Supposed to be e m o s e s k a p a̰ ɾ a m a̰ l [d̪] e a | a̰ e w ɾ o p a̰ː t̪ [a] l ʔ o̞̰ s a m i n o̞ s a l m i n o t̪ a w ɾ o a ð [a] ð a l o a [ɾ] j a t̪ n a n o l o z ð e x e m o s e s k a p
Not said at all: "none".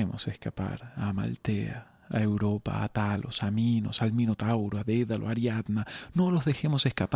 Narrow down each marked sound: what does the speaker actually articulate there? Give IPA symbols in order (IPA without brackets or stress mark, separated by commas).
t̪, a, e, ɾ